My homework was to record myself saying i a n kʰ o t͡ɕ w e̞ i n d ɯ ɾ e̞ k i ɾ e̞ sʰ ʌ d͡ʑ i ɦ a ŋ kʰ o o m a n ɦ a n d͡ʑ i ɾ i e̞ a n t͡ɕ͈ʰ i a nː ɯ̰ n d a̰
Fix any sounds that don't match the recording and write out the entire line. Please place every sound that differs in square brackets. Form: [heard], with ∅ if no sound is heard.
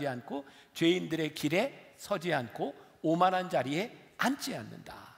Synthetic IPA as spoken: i a n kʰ o t͡ɕ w e̞ i n d ɯ ɾ e̞ k i ɾ e̞ sʰ ʌ d͡ʑ i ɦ a [n] kʰ o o m a n ɦ a n d͡ʑ [a] ɾ i e̞ a n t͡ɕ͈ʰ i a nː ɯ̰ n d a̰